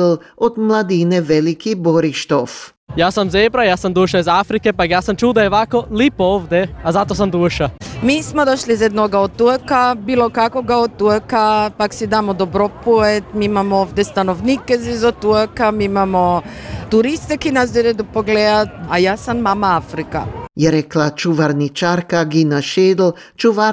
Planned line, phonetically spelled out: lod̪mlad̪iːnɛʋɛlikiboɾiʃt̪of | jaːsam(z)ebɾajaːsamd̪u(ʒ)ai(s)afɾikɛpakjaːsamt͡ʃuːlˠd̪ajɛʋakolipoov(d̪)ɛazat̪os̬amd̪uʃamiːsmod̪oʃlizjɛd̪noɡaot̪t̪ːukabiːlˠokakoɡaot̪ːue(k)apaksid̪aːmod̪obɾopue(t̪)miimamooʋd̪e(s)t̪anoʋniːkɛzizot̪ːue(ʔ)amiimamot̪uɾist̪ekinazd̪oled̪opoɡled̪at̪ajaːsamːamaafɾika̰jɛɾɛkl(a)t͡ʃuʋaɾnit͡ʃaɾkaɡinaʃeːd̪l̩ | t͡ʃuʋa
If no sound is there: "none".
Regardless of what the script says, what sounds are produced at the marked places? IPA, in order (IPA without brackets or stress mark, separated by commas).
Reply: z, ʃ, z, d̪, k, t̪, s, k, a